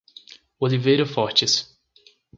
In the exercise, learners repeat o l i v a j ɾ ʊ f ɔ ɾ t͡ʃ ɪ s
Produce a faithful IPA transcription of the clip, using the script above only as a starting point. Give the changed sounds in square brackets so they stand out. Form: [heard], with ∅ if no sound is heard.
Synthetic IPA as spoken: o l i v [e] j ɾ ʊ f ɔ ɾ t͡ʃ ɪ s